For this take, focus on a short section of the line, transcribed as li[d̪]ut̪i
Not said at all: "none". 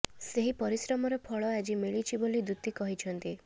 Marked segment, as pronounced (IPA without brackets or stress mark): d̪